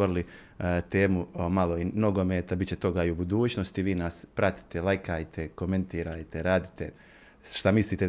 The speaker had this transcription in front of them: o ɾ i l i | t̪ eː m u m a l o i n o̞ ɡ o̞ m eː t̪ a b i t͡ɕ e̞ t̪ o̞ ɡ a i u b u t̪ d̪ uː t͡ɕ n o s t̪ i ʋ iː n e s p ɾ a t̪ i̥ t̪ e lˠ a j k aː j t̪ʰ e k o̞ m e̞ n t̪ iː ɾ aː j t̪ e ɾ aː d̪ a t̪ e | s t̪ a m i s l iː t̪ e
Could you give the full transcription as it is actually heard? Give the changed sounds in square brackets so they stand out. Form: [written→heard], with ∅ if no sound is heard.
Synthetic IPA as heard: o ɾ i l i | t̪ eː m u m a l o i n o̞ ɡ o̞ m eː t̪ a b i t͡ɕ e̞ t̪ o̞ ɡ a i u b u [t̪→∅] d̪ uː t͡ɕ n o s t̪ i ʋ iː n [e→a] s p ɾ a t̪ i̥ t̪ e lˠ a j k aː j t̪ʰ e k o̞ m e̞ n t̪ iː ɾ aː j t̪ e ɾ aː d̪ [a→i] t̪ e | [s→ʃ] t̪ a m i s l iː t̪ e